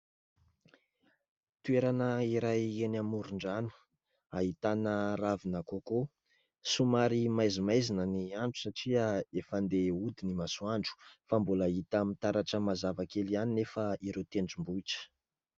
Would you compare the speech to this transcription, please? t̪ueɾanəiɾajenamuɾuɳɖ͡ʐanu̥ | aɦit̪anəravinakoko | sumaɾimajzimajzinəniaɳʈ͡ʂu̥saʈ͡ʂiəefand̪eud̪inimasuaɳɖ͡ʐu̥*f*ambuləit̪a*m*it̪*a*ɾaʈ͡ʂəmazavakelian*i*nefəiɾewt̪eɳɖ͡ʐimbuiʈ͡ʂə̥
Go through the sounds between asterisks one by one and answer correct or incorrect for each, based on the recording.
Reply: correct, correct, correct, correct

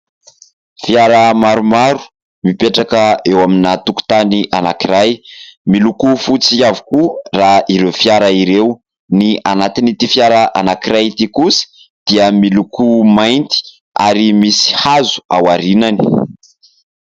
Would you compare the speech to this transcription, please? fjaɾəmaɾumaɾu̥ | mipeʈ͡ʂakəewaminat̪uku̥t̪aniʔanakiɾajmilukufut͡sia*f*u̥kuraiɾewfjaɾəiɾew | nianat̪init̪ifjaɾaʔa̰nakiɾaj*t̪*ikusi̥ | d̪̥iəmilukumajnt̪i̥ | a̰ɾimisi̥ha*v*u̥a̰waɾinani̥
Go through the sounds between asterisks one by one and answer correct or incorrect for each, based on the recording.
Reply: incorrect: v, correct, incorrect: z

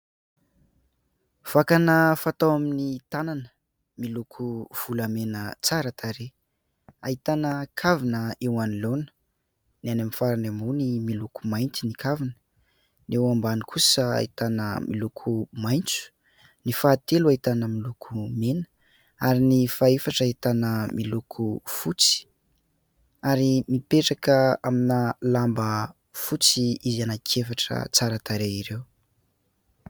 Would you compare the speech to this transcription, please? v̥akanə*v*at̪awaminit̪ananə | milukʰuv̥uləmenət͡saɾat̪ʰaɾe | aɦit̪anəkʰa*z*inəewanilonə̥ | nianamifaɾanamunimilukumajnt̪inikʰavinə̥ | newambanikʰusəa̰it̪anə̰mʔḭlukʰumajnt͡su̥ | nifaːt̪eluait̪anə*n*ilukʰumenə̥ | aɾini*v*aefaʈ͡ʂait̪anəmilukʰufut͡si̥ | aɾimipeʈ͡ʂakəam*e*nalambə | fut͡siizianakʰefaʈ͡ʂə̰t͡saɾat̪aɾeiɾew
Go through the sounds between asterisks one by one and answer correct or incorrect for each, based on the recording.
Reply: incorrect: f, incorrect: v, incorrect: m, incorrect: f, incorrect: i

